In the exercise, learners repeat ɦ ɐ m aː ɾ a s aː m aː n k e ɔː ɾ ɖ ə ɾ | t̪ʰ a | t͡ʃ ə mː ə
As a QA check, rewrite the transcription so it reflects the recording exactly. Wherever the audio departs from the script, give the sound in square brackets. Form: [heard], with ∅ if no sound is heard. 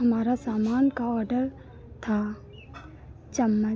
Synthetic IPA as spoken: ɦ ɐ m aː ɾ a s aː m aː n k [a] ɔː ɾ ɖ ə ɾ | t̪ʰ a | t͡ʃ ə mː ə